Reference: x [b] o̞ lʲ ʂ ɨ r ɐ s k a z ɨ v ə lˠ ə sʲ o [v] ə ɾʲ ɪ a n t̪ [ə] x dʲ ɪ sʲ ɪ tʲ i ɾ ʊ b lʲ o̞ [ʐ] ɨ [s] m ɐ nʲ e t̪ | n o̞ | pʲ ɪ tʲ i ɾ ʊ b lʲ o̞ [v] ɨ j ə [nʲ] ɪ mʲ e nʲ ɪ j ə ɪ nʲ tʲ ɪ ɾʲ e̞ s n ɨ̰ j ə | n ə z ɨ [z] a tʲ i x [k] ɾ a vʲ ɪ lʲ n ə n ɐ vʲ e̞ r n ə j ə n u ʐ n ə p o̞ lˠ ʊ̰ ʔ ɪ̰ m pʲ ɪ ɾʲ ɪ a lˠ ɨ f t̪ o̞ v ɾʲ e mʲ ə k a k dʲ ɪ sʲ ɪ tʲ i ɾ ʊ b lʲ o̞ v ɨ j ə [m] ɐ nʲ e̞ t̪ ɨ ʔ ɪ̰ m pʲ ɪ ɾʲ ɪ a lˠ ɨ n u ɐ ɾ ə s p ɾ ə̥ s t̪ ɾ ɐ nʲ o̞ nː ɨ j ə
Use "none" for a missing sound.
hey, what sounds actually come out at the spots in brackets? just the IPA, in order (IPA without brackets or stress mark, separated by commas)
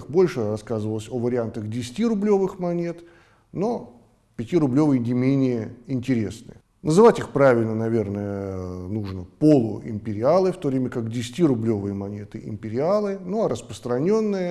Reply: b, v, ə, v, x, v, nʲ, v, p, m